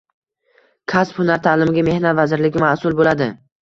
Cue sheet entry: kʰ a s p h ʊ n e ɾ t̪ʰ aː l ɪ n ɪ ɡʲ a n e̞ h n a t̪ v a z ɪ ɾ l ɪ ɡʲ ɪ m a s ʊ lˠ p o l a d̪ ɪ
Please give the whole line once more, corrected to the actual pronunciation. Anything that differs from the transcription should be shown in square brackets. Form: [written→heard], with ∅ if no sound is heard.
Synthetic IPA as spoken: kʰ a s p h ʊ n [e→a] ɾ t̪ʰ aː l ɪ [n→m] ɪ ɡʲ a [n→m] e̞ h n a t̪ v a z ɪ ɾ l ɪ ɡʲ ɪ m a s ʊ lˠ [p→b] o l a d̪ ɪ